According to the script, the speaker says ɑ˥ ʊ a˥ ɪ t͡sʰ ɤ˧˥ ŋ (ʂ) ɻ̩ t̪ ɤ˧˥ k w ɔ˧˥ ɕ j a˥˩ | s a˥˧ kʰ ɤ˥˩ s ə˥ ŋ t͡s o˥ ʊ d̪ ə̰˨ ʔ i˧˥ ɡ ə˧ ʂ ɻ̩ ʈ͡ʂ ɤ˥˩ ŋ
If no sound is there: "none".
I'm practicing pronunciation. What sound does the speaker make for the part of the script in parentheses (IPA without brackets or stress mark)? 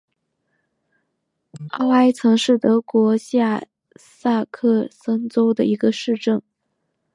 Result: ʂ